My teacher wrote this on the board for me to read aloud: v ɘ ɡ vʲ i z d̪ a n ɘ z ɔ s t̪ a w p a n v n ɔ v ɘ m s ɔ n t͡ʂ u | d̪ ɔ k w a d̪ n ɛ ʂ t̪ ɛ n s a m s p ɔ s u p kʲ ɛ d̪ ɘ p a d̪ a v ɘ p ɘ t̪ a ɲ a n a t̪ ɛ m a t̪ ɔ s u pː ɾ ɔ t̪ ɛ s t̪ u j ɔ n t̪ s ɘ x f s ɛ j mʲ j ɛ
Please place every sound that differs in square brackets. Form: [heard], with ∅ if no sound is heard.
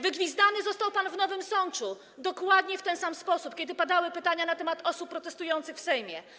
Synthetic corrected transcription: v ɘ ɡ vʲ i z d̪ a n ɘ z ɔ s t̪ a w p a n v n ɔ v ɘ m s ɔ n t͡ʂ u | d̪ ɔ k w a d̪ [ɲ] ɛ [f] t̪ ɛ n s a m s p ɔ s u p kʲ ɛ d̪ ɘ p a d̪ a [w] ɘ p ɘ t̪ a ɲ a n a t̪ ɛ m a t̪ ɔ s u pː ɾ ɔ t̪ ɛ s t̪ u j ɔ n t̪ s ɘ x f s ɛ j mʲ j ɛ

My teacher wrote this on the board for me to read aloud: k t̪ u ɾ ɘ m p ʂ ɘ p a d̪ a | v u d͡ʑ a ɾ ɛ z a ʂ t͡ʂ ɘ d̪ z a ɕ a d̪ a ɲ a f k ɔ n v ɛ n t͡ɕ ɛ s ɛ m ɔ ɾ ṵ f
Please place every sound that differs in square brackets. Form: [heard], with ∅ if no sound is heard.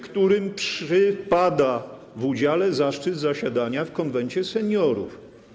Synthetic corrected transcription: k t̪ u ɾ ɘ m p ʂ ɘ p a d̪ a | v u d͡ʑ a [l] ɛ z a ʂ t͡ʂ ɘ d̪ z a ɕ a d̪ a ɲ a f k ɔ n v ɛ n t͡ɕ ɛ s ɛ [ɲ] ɔ ɾ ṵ f

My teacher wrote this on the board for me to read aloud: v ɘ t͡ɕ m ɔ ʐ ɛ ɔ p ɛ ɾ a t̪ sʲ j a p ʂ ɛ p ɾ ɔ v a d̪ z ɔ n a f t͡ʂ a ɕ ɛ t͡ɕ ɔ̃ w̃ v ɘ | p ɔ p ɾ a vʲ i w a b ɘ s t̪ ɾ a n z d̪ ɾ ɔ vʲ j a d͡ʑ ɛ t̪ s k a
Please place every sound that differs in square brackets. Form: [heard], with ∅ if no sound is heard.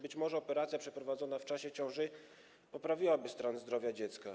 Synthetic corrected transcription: [b] ɘ t͡ɕ m ɔ ʐ ɛ ɔ p ɛ ɾ a t̪ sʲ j a p ʂ ɛ p ɾ ɔ v a d̪ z ɔ n a f t͡ʂ a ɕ ɛ t͡ɕ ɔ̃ w̃ [ʐ] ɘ | p ɔ p ɾ a vʲ i w a b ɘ s t̪ ɾ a n z d̪ ɾ ɔ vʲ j a d͡ʑ ɛ t̪ s k a

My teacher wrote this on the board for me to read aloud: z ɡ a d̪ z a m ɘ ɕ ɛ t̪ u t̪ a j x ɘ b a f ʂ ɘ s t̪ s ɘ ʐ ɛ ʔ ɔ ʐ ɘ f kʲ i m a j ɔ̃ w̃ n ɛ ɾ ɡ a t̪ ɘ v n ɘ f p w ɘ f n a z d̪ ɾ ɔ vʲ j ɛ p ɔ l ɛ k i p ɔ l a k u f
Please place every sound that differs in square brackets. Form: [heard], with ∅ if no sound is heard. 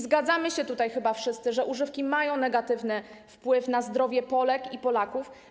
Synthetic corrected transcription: z ɡ a d̪ z a m ɘ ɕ ɛ t̪ u t̪ a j x ɘ b a f ʂ ɘ s t̪ s ɘ ʐ ɛ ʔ [u] ʐ ɘ f kʲ i m a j ɔ̃ w̃ n ɛ [∅] ɡ a t̪ ɘ v n ɘ f p w ɘ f n a z d̪ ɾ ɔ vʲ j ɛ p ɔ l ɛ k i p ɔ l a k u f

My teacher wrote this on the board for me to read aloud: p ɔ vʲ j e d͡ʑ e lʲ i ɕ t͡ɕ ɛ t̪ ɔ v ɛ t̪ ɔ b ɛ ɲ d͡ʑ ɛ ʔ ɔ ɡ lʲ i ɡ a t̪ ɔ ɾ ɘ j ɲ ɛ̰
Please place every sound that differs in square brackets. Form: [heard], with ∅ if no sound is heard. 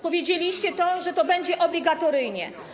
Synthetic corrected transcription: p ɔ vʲ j e d͡ʑ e lʲ i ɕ t͡ɕ ɛ t̪ ɔ [ʐ] ɛ t̪ ɔ b ɛ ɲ d͡ʑ ɛ ʔ ɔ [b] lʲ i ɡ a t̪ ɔ ɾ ɘ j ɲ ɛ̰

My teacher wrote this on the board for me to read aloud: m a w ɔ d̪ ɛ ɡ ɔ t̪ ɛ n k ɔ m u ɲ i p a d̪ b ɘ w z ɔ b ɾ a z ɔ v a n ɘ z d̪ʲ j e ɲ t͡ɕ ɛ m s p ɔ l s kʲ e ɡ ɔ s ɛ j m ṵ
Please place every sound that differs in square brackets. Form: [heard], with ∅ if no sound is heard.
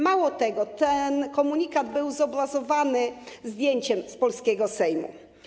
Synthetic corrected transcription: m a w ɔ [t̪] ɛ ɡ ɔ t̪ ɛ n k ɔ m u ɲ i [k] a d̪ b ɘ w z ɔ b ɾ a z ɔ v a n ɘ z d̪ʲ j e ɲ t͡ɕ ɛ m s p ɔ l s kʲ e ɡ ɔ s ɛ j m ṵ

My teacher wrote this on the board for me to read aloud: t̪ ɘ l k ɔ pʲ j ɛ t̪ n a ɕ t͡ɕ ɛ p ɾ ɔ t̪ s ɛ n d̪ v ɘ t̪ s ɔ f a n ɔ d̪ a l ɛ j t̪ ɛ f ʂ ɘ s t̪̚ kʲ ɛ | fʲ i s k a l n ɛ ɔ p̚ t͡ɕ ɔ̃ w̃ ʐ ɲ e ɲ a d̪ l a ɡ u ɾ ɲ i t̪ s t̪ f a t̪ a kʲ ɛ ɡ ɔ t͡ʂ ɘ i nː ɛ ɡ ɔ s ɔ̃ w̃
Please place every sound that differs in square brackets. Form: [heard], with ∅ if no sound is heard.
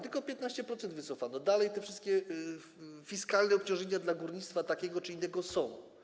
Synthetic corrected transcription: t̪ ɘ l k ɔ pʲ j ɛ t̪ n a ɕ t͡ɕ ɛ p ɾ ɔ t̪ s ɛ n d̪ v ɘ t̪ s ɔ f a n ɔ d̪ a l ɛ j t̪ ɛ f ʂ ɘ s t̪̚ kʲ ɛ | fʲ i s k a l n ɛ ɔ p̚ t͡ɕ ɔ̃ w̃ ʐ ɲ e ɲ a d̪ l a ɡ u ɾ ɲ i t̪ s t̪ f a t̪ a kʲ ɛ ɡ ɔ t͡ʂ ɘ i nː ɛ ɡ ɔ s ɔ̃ w̃

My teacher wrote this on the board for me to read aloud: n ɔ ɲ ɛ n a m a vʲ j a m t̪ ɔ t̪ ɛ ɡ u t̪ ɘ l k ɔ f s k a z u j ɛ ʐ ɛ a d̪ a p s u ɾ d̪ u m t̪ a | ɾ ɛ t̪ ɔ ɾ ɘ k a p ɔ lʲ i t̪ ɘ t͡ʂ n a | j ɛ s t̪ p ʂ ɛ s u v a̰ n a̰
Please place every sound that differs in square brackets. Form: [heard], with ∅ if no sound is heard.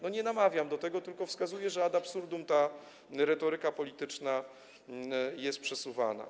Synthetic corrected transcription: n ɔ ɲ ɛ n a m a vʲ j a m [d̪] ɔ t̪ ɛ ɡ [ɔ] t̪ ɘ l k ɔ f s k a z u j ɛ ʐ ɛ a d̪ a p s u ɾ d̪ u m t̪ a | ɾ ɛ t̪ ɔ ɾ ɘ k a p ɔ lʲ i t̪ ɘ t͡ʂ n a | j ɛ s t̪ p ʂ ɛ s u v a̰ n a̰

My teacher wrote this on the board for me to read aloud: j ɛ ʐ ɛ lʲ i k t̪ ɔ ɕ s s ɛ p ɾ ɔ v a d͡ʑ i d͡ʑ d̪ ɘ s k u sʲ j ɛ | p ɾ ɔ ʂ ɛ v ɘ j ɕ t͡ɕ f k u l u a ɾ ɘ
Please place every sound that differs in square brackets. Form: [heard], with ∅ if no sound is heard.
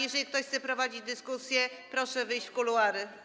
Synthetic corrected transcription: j ɛ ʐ ɛ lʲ i k t̪ ɔ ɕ [x] s ɛ p ɾ ɔ v a d͡ʑ i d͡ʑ d̪ ɘ s k u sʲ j ɛ | p ɾ ɔ ʂ ɛ v ɘ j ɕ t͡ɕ f k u l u a ɾ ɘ

